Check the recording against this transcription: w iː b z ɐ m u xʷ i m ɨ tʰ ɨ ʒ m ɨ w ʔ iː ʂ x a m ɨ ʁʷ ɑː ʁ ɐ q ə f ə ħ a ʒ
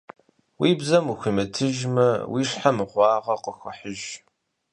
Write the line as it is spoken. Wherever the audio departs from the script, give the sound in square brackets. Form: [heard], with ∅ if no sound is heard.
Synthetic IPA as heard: w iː b z ɐ m u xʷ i m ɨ tʰ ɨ ʒ m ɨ w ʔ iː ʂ [ħ] a m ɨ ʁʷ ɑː ʁ ɐ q ə [x] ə ħ [ə] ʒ